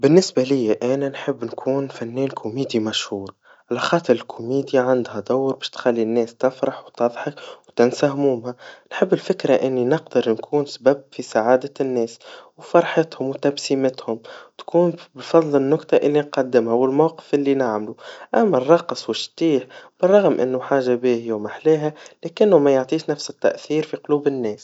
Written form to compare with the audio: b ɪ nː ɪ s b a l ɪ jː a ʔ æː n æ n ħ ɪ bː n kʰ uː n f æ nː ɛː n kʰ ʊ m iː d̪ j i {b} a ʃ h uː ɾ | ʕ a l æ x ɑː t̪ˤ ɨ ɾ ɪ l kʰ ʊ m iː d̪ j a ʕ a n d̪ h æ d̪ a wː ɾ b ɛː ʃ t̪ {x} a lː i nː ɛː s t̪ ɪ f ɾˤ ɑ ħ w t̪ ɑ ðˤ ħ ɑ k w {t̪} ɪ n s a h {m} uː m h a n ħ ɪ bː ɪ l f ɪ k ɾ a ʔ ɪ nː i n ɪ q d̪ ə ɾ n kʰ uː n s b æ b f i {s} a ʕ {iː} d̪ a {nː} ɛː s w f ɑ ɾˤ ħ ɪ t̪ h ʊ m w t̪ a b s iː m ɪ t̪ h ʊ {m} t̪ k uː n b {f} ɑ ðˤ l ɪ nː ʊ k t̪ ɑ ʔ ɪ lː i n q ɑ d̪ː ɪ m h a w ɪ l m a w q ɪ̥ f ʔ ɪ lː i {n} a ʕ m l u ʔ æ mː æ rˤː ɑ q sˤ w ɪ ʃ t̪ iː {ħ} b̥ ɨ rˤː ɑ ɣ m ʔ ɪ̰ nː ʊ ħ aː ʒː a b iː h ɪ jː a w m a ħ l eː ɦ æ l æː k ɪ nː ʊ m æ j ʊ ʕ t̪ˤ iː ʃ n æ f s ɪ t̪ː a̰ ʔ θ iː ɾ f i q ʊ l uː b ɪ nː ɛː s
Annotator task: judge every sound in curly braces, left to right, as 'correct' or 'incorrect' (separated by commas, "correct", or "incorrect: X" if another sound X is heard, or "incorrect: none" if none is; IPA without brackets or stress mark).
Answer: incorrect: m, correct, correct, correct, correct, incorrect: aː, correct, correct, correct, correct, correct